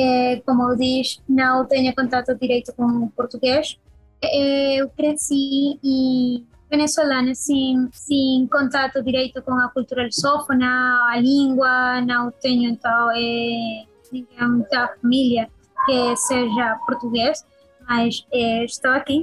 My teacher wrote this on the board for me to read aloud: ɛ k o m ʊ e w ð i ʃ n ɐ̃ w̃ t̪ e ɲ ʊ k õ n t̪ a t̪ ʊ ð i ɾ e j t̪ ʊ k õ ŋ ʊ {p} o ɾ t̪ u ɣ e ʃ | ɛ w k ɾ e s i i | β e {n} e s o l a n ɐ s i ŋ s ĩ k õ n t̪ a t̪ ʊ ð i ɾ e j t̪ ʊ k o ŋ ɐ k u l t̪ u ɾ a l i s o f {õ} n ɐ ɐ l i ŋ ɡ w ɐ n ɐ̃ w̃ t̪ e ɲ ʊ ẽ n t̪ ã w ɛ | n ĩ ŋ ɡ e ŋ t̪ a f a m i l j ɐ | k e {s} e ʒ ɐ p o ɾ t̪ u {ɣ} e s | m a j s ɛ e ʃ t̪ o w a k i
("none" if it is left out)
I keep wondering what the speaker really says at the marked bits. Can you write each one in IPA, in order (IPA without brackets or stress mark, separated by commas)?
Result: p, n, o, s, ɣ